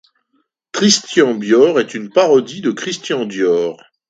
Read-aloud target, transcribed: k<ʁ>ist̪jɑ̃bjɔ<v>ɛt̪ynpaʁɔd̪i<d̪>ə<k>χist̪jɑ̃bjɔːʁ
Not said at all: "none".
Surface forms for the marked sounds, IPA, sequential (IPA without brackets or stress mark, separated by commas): χ, ʁ, d̪, k